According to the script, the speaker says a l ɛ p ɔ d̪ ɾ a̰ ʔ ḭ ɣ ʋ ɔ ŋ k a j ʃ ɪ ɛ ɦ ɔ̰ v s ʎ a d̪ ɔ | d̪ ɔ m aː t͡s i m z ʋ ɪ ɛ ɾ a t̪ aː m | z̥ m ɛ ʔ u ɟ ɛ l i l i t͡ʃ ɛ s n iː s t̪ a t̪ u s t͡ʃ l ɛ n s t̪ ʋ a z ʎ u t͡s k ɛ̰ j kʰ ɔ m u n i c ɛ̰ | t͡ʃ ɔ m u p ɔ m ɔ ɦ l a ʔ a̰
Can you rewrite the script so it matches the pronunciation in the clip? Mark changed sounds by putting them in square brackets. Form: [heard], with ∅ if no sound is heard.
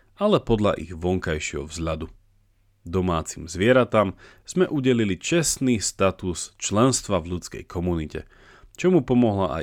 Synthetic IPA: a l ɛ p ɔ d̪ [ʎ] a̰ ʔ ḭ ɣ ʋ ɔ ŋ k a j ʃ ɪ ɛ ɦ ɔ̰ v [z] ʎ a d̪ [u] | d̪ ɔ m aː t͡s i m z ʋ ɪ ɛ ɾ a t̪ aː m | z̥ m ɛ ʔ u ɟ ɛ l i l i t͡ʃ ɛ s n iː s t̪ a t̪ u s t͡ʃ l ɛ n s t̪ ʋ a [v] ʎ u t͡s k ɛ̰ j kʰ ɔ m u n i c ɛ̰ | t͡ʃ ɔ m u p ɔ m ɔ ɦ l a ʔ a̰